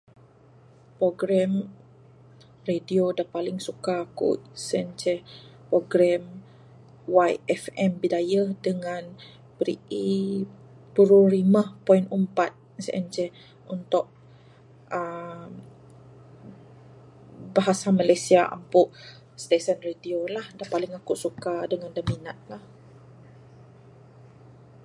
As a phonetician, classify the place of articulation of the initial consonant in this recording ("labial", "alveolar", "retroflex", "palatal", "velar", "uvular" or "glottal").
labial